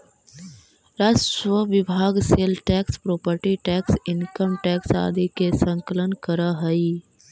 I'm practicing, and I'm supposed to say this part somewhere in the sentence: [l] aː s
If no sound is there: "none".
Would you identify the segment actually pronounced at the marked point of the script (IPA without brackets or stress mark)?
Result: ɾ